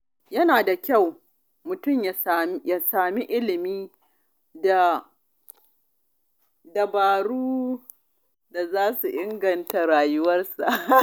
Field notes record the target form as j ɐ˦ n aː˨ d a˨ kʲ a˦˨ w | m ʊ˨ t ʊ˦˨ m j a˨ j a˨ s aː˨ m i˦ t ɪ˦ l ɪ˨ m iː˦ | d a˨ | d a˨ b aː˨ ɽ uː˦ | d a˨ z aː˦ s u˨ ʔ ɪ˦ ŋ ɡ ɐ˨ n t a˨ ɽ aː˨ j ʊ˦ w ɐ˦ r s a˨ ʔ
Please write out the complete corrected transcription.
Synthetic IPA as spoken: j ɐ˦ n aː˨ d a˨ kʲ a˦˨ w | m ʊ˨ t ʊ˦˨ m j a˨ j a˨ s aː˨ m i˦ ʔ ɪ˦ l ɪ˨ m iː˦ | d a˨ | d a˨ b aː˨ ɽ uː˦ | d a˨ z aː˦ s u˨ ʔ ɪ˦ ŋ ɡ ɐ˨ n t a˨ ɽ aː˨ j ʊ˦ w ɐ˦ r s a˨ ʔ

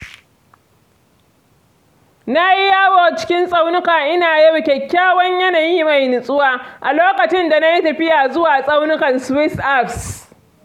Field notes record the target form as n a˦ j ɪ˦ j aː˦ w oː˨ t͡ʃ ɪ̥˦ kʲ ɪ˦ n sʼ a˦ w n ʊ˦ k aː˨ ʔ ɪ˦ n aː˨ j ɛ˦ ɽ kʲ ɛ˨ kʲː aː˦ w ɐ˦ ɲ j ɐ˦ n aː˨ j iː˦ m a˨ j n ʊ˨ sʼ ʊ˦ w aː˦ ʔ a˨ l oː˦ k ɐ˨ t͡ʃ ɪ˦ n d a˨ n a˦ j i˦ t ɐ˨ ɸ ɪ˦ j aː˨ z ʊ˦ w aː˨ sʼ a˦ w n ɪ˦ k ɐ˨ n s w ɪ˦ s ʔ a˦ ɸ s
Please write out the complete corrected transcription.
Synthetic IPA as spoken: n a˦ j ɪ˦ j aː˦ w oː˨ t͡ʃ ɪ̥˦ kʲ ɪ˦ n sʼ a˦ w n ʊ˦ k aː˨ ʔ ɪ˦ n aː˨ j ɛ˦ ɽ kʲ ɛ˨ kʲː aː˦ w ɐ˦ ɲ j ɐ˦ n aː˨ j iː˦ m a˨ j n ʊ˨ sʼ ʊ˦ w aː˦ ʔ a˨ l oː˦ k ɐ˨ t͡ʃ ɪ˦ n d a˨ n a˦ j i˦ t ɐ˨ ɸ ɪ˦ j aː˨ z ʊ˦ w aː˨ sʼ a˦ w n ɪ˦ k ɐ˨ n s w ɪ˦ s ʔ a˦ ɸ s

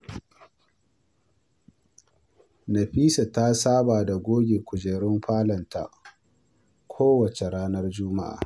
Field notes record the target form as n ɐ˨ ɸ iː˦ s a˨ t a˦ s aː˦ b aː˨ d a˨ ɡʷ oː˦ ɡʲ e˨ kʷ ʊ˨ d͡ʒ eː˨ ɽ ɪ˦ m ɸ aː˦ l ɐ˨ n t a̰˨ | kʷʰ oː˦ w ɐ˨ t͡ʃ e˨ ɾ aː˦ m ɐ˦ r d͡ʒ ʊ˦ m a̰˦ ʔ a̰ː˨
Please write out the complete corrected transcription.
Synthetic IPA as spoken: n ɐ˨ ɸ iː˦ s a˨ t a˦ s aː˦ b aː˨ d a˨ ɡʷ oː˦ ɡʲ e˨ kʷ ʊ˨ d͡ʒ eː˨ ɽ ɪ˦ m ɸ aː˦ l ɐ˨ n t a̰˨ | kʷʰ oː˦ w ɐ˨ t͡ʃ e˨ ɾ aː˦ n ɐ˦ r d͡ʒ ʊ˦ m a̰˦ ʔ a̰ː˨

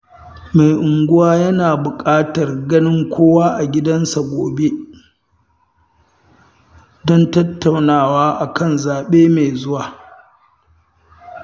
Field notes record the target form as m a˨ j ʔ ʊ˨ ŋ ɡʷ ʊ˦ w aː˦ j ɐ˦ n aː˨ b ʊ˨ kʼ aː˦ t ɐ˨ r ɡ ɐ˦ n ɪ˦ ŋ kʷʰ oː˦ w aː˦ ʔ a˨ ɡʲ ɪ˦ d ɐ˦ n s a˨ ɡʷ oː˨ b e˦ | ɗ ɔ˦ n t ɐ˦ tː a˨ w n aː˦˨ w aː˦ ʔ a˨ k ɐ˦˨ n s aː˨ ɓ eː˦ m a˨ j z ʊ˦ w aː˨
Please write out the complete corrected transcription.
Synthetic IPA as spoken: m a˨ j ʔ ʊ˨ ŋ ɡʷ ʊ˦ w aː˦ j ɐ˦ n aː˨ b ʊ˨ kʼ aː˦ t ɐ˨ r ɡ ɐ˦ n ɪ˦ ŋ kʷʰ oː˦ w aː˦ ʔ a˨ ɡʲ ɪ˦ d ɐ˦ n s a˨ ɡʷ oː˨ b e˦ | d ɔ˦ n t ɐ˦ tː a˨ w n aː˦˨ w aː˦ ʔ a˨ k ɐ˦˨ n z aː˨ ɓ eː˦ m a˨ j z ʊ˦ w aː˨

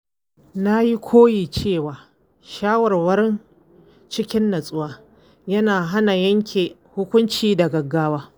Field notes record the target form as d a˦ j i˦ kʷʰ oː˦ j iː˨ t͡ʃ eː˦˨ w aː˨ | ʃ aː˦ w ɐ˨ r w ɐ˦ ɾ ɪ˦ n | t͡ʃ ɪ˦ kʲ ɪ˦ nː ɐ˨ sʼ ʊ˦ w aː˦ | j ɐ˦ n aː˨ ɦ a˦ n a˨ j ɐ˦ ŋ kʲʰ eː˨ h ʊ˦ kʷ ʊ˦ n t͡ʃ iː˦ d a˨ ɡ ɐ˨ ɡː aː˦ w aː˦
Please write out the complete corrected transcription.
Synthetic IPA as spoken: n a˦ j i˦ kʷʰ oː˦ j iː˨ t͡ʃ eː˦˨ w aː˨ | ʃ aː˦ w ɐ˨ r w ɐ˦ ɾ ɪ˦ n | t͡ʃ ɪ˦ kʲ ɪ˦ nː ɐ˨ sʼ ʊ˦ w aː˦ | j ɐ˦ n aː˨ ɦ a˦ n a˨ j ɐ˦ ŋ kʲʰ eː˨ h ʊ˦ kʷ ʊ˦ n t͡ʃ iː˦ d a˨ ɡ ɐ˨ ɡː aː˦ w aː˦

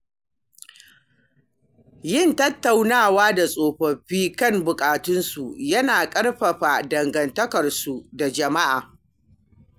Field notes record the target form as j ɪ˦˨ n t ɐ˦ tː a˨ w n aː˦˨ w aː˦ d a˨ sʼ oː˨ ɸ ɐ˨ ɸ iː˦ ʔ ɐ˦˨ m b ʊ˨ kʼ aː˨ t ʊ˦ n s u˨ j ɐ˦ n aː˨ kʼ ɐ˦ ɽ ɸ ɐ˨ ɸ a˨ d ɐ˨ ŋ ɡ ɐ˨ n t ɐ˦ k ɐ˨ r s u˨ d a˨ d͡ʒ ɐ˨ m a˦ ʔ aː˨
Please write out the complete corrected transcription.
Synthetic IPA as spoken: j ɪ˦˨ n t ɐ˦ tː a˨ w n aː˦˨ w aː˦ d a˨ sʼ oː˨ ɸ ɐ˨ ɸ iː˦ k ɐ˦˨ m b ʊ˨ kʼ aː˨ t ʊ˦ n s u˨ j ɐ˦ n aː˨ kʼ ɐ˦ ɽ ɸ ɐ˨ ɸ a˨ d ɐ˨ ŋ ɡ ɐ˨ n t ɐ˦ k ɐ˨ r s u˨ d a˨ d͡ʒ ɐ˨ m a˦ ʔ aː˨

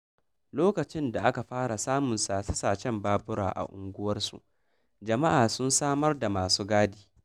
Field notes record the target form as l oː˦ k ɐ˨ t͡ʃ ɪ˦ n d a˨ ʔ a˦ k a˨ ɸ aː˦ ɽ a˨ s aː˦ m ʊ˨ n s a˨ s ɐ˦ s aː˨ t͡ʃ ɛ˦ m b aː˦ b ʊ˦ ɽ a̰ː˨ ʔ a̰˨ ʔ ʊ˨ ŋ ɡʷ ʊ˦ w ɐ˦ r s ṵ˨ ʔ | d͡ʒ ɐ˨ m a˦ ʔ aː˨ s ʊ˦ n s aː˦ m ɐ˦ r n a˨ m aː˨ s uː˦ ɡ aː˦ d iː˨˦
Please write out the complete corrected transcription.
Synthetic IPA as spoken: l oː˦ k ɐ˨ t͡ʃ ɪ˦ n d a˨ ʔ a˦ k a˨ ɸ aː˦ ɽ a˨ s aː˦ m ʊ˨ n s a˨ s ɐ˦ s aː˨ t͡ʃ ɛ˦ m b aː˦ b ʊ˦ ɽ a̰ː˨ ʔ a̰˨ ʔ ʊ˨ ŋ ɡʷ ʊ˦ w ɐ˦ r s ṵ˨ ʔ | d͡ʒ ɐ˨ m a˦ ʔ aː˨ s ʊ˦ n s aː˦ m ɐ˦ r d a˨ m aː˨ s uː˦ ɡ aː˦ d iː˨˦

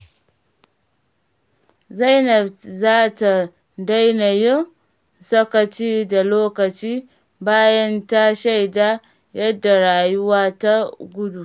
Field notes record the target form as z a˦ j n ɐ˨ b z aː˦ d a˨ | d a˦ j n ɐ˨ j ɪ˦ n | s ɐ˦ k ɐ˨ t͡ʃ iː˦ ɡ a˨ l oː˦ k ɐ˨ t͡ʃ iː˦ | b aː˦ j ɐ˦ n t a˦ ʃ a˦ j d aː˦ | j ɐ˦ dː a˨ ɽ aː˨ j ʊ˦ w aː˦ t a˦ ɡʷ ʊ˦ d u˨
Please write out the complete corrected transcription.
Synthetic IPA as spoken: z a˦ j n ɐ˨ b z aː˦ t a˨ | d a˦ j n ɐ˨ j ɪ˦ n | s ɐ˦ k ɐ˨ t͡ʃ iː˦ d a˨ l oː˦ k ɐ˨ t͡ʃ iː˦ | b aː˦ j ɐ˦ n t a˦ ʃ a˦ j d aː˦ | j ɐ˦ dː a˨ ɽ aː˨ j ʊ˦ w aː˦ t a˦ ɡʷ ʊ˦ d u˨

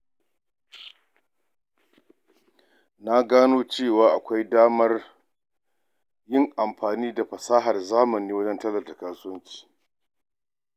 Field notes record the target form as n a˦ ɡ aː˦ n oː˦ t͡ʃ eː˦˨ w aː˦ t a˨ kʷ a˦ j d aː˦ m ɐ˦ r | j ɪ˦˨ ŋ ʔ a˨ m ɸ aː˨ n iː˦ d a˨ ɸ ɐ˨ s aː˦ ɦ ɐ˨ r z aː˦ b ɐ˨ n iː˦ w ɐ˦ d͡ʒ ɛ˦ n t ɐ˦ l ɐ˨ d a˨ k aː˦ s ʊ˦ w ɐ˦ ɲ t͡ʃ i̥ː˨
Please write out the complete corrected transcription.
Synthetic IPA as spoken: n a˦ ɡ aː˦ n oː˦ t͡ʃ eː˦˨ w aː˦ ʔ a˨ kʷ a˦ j d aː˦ m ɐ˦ r | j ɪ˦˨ ŋ ʔ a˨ m ɸ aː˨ n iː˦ d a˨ ɸ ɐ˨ s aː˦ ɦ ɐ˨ r z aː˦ m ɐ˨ n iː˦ w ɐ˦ d͡ʒ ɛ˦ n t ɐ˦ l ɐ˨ d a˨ k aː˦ s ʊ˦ w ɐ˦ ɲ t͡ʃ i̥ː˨

